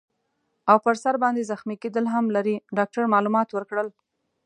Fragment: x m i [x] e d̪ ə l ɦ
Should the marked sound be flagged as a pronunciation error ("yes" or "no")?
yes